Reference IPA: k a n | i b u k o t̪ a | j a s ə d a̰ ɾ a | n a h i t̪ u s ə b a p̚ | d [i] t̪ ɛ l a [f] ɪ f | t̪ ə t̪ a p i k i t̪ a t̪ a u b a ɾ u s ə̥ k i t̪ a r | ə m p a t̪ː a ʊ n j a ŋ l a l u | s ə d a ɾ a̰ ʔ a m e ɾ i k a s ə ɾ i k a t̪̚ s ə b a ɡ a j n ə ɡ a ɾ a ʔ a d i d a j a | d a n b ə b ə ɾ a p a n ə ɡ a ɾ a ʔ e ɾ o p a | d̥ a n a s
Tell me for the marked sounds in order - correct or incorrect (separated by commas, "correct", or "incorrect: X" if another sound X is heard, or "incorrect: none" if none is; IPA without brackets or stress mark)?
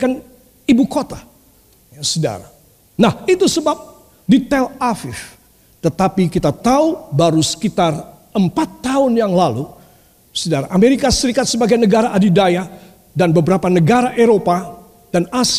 correct, correct